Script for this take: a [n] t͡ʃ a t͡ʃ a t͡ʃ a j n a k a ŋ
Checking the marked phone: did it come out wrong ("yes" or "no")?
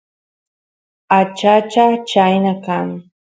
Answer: yes